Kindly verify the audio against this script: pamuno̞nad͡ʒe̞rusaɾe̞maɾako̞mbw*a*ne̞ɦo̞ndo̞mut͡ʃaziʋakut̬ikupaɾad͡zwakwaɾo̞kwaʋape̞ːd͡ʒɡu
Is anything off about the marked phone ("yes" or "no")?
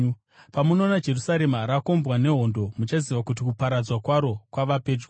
no